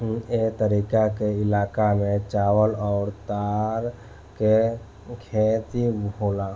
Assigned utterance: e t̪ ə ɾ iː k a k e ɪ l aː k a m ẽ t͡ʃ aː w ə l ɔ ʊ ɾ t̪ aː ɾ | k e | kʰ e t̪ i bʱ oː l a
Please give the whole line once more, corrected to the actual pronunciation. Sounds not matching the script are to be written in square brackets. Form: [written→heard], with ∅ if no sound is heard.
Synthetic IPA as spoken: e t̪ ə ɾ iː k a k e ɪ l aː k a m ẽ t͡ʃ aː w ə l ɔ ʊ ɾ t̪ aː ɾ | k e | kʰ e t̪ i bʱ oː l a